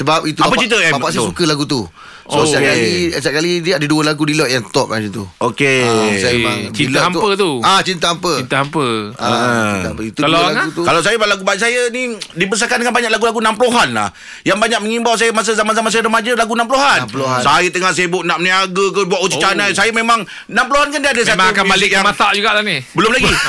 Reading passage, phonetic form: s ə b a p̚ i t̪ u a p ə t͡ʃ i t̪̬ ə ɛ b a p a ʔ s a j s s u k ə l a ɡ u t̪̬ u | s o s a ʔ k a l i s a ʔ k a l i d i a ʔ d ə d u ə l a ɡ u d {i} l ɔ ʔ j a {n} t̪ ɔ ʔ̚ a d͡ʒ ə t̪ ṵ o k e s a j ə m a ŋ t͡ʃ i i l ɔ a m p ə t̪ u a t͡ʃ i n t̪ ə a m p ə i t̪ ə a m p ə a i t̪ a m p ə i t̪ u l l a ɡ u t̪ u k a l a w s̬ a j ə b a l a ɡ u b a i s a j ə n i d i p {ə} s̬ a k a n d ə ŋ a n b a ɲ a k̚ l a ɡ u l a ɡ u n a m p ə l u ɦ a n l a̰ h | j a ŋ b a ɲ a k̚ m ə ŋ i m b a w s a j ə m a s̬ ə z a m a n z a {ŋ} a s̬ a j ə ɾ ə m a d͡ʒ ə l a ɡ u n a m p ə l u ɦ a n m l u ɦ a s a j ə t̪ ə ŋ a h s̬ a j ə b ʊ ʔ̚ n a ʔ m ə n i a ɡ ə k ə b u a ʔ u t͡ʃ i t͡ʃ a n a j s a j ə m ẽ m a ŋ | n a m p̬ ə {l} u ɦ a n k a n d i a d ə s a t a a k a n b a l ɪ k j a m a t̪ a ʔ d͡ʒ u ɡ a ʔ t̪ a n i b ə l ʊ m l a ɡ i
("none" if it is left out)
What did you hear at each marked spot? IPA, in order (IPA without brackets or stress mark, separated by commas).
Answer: i, ŋ, ə, m, l